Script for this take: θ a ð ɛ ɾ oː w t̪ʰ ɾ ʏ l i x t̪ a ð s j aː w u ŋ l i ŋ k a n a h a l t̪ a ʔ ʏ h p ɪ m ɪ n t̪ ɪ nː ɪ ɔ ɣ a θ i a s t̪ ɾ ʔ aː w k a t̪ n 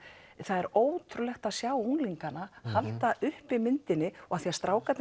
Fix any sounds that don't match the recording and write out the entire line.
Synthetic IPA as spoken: θ a ð ɛ ɾ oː w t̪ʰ ɾ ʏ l ɛ x t̪ a ð s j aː w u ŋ l i ŋ k a n a h a l t̪ a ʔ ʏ h p ɪ m ɪ n t̪ ɪ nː ɪ ɔ ɣ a θ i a s t̪ ɾ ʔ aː w k a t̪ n